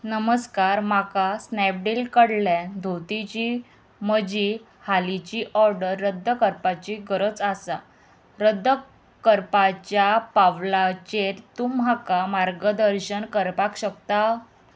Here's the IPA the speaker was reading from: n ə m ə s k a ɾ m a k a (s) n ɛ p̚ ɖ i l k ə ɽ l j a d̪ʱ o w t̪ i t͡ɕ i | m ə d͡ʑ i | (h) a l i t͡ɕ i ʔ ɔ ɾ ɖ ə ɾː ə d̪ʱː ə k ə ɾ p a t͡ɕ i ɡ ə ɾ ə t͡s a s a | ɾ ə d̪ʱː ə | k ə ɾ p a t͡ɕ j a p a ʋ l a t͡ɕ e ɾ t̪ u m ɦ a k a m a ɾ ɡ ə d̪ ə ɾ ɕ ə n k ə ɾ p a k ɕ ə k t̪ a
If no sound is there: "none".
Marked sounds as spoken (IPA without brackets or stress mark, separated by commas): s, h